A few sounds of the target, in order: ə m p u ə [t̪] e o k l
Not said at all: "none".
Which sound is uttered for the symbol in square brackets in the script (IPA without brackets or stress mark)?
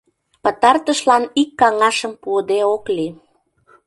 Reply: d̪